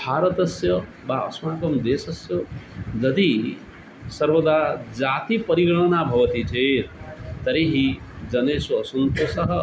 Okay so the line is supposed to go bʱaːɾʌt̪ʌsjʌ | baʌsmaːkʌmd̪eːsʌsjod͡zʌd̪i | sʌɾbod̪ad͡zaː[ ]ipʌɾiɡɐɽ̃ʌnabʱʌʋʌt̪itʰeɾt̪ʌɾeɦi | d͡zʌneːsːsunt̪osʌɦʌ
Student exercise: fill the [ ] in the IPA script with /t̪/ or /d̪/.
t̪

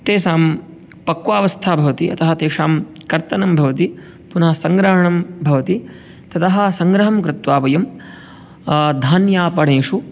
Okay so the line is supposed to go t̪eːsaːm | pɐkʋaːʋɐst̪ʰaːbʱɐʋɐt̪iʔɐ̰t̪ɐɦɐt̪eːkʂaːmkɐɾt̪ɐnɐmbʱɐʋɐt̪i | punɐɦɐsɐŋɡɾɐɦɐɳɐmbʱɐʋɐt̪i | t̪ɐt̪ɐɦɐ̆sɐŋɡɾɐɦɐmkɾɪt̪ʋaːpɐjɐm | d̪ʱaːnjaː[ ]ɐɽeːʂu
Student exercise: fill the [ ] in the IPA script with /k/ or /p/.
p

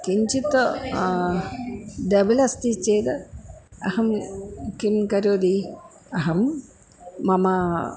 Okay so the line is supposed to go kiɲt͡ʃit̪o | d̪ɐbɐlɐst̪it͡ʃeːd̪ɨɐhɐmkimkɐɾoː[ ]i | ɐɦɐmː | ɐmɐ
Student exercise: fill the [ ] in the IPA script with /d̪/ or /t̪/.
d̪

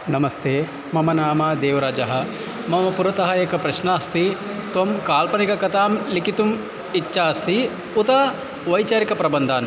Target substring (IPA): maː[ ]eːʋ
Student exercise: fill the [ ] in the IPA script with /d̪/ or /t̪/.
d̪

